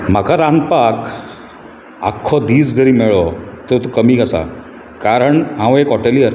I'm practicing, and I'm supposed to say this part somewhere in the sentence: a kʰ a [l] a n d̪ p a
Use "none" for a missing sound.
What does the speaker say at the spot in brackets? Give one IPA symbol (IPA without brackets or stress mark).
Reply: ɾ